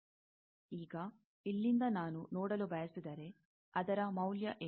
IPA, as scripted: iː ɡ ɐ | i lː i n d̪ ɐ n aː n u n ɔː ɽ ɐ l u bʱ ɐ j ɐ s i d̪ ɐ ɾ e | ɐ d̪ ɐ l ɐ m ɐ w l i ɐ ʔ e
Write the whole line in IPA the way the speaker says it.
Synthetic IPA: iː ɡ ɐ | i lː i n d̪ ɐ n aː n u n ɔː ɽ ɐ l u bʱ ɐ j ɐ s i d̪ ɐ ɾ e | ɐ d̪ ɐ ɾ ɐ m ɐ w l j ɐ ʔ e